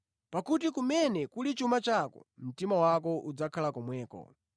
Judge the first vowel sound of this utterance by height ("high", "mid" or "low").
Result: low